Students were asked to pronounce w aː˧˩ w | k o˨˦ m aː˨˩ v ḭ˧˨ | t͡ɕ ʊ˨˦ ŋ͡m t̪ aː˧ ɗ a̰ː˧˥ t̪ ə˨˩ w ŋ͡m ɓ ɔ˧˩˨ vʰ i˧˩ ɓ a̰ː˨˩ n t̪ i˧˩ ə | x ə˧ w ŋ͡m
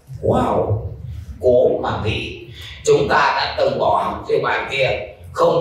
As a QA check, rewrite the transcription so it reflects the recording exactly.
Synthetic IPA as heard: w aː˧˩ w | k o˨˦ m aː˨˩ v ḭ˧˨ | t͡ɕ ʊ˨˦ ŋ͡m t̪ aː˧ ɗ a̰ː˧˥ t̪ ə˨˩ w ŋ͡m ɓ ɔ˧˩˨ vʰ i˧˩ ɓ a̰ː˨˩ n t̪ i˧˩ ə | x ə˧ w ŋ͡m